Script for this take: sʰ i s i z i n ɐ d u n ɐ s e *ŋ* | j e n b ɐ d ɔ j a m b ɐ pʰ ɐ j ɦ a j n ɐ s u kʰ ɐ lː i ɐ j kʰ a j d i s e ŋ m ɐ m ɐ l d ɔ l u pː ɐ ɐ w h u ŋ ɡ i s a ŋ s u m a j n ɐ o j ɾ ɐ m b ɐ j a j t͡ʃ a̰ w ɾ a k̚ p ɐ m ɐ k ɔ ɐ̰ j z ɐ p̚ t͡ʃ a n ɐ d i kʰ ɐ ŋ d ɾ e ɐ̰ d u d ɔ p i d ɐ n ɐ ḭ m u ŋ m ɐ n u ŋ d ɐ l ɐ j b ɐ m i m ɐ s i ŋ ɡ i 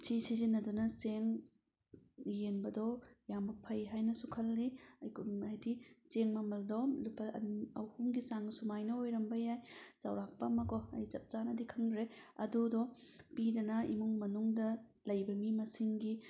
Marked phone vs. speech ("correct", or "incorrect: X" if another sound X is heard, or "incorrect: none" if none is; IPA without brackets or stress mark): correct